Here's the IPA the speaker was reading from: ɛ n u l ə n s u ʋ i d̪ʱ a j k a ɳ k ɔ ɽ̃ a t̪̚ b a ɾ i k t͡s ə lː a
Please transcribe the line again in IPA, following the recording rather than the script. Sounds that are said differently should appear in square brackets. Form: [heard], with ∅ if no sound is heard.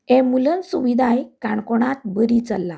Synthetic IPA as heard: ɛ [m] u l ə n s u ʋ i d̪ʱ a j k a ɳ k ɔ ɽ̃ a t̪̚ b [ə] ɾ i [∅] t͡s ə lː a